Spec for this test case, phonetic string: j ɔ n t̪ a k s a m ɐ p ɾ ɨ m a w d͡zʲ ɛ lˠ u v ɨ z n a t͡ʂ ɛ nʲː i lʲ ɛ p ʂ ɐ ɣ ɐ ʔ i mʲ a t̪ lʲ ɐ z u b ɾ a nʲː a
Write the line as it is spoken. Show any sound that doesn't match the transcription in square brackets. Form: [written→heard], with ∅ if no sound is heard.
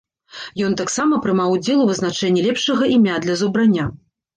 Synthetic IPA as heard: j ɔ n t̪ a k s a m ɐ p ɾ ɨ m a w d͡zʲ ɛ lˠ u v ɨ z n a t͡ʂ ɛ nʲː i lʲ ɛ p ʂ ɐ ɣ ɐ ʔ i mʲ a [t̪→d̪] lʲ ɐ z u b ɾ a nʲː a

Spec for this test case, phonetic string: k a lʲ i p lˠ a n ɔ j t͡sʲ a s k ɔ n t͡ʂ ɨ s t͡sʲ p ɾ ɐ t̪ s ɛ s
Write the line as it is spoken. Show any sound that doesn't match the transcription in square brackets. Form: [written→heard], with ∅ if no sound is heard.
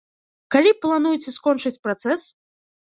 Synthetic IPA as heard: k a lʲ i p lˠ a n [ɔ→u] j t͡sʲ [a→ɛ] s k ɔ n t͡ʂ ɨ [s→∅] t͡sʲ p ɾ [ɐ→a] t̪ s ɛ s

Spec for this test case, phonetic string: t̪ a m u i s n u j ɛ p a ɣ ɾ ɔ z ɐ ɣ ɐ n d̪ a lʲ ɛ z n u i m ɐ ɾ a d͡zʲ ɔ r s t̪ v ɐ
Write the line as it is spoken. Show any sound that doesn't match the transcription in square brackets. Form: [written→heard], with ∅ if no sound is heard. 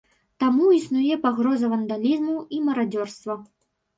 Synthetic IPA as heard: t̪ a m u i s n u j ɛ p a ɣ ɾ ɔ z ɐ [ɣ→v] ɐ n d̪ a lʲ [ɛ→i] z [n→m] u i m ɐ ɾ a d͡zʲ ɔ r s t̪ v ɐ

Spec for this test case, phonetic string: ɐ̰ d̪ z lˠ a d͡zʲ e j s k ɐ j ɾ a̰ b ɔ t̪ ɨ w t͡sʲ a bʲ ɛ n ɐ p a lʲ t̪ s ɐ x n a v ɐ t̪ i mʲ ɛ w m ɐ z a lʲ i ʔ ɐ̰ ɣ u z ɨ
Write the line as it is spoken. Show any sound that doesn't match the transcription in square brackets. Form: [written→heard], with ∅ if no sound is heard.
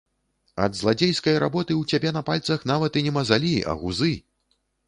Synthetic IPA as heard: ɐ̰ d̪ z lˠ a d͡zʲ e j s k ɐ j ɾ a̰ b ɔ t̪ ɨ w t͡sʲ a bʲ ɛ n ɐ p a lʲ t̪ s ɐ x n a v ɐ t̪ i [mʲ→nʲ] ɛ [w→∅] m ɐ z a lʲ i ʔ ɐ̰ ɣ u z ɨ

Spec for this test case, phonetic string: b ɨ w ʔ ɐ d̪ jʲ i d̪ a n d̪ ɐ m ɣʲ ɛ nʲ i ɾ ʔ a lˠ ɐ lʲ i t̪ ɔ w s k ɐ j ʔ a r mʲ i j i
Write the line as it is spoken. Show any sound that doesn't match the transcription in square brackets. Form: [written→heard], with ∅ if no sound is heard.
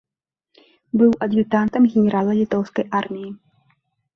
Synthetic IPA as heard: b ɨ w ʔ ɐ d̪ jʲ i [d̪→t̪] a n [d̪→t̪] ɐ m ɣʲ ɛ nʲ [i→ɛ] ɾ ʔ a lˠ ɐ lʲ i t̪ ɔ w s k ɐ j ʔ a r mʲ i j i

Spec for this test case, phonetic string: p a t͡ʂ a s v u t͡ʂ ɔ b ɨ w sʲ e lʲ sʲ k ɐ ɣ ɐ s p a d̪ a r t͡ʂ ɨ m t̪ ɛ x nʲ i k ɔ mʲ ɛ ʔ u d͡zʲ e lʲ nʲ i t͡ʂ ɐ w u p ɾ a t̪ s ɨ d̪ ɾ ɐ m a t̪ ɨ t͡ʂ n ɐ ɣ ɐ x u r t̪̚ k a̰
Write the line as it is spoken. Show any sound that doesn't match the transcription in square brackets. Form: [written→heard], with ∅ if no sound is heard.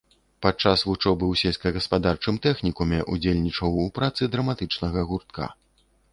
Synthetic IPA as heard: p a t͡ʂ a s v u t͡ʂ ɔ b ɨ w sʲ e lʲ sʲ k ɐ ɣ ɐ s p a d̪ a r t͡ʂ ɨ m t̪ ɛ x nʲ i k [ɔ→u] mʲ ɛ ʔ u d͡zʲ e lʲ nʲ i t͡ʂ ɐ w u p ɾ a t̪ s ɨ d̪ ɾ ɐ m a t̪ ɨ t͡ʂ n ɐ ɣ ɐ [x→ɣ] u r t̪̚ k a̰

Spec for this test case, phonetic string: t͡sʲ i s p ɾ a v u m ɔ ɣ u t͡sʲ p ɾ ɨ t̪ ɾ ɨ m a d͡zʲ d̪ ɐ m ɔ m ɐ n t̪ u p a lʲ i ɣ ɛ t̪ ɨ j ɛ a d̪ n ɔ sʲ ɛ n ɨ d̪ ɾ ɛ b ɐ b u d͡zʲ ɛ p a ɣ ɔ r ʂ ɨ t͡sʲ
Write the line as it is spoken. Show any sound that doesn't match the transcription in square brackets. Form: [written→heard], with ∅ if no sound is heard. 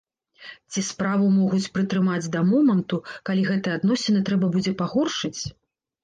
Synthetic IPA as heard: t͡sʲ i s p ɾ a v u m ɔ ɣ u t͡sʲ p ɾ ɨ t̪ ɾ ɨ m a d͡zʲ d̪ ɐ m ɔ m ɐ n t̪ u [p→k] a lʲ i ɣ ɛ t̪ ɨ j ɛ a d̪ n ɔ sʲ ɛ n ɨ [d̪→t̪] ɾ ɛ b ɐ b u d͡zʲ ɛ p a ɣ ɔ r ʂ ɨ t͡sʲ

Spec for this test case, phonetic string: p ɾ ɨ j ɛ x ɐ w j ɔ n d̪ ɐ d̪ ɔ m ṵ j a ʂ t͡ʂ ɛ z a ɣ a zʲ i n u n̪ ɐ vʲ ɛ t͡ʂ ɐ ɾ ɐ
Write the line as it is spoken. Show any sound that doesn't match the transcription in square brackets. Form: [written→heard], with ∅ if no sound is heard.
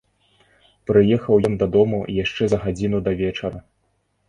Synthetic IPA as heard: p ɾ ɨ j ɛ x ɐ w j ɔ n d̪ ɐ d̪ ɔ m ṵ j a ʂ t͡ʂ ɛ z [a→ɐ] ɣ a [zʲ→d͡zʲ] i n u [n̪→d̪] ɐ vʲ ɛ t͡ʂ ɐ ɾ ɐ

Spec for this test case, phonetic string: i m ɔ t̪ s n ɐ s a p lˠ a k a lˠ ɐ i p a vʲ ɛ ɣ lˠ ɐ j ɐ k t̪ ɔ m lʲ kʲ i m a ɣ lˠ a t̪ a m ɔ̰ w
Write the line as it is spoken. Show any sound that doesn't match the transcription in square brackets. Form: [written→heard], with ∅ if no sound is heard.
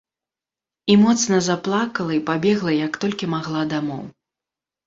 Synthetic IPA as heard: i m ɔ t̪ s n ɐ [s→z] a p lˠ a k [a→ɐ] lˠ ɐ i p a [vʲ→bʲ] ɛ ɣ lˠ ɐ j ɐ k t̪ ɔ [m→∅] lʲ kʲ i m a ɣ lˠ a [t̪→d̪] a m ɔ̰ w

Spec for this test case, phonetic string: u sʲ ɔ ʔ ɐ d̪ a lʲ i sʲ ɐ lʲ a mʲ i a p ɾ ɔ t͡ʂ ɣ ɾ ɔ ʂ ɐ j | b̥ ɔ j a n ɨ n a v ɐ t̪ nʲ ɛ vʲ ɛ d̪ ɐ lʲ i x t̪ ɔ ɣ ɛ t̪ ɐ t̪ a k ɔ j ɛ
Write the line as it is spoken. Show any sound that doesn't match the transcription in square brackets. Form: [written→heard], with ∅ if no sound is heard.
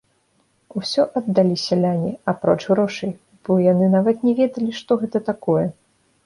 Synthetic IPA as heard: u sʲ ɔ ʔ ɐ [d̪→d̪ː] a lʲ i sʲ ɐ lʲ a [mʲ→nʲ] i a p ɾ ɔ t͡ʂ ɣ ɾ ɔ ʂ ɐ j | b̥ ɔ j a n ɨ n a v ɐ t̪ nʲ ɛ vʲ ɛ d̪ ɐ lʲ i [x→ʂ] t̪ ɔ ɣ ɛ t̪ ɐ t̪ a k ɔ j ɛ

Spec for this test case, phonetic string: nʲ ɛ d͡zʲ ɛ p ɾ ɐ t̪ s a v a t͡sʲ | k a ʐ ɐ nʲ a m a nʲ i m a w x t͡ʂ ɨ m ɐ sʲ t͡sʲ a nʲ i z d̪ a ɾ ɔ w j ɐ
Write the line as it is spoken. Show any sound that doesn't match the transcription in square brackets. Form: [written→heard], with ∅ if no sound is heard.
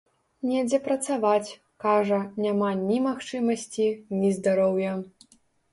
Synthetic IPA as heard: nʲ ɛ d͡zʲ ɛ p ɾ ɐ t̪ s a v a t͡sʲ | k a ʐ ɐ nʲ a m a nʲ i m a [w→∅] x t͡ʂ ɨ m ɐ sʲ t͡sʲ [a→i] nʲ i z d̪ a ɾ ɔ w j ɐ

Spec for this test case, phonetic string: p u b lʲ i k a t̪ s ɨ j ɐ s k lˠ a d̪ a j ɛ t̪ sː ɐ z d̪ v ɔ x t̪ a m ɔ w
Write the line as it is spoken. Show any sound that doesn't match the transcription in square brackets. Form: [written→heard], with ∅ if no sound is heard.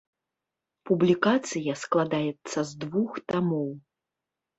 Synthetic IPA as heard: p u b lʲ i k a t̪ s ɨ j ɐ s k lˠ a d̪ a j ɛ t̪ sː ɐ z d̪ v [ɔ→u] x t̪ a m ɔ w

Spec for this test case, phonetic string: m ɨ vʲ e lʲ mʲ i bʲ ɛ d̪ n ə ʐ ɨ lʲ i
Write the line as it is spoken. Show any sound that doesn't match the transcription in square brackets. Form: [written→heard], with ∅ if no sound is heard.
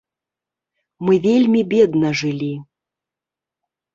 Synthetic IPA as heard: m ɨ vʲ e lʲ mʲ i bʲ [ɛ→e] d̪ n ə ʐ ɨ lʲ i

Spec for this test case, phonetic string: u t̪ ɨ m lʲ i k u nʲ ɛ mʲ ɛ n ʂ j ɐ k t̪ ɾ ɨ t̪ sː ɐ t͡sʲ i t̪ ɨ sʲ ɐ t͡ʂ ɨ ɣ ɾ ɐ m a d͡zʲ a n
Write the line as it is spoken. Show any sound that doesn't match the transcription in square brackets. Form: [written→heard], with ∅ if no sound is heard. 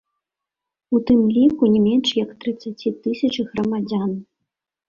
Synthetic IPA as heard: u t̪ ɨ m lʲ i k u nʲ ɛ mʲ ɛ n ʂ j ɐ k t̪ ɾ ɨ t̪ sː [ɐ→a] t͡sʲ i t̪ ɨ sʲ ɐ t͡ʂ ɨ ɣ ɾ ɐ m a d͡zʲ a n

